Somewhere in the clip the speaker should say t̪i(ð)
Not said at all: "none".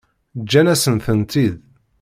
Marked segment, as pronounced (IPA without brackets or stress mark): ð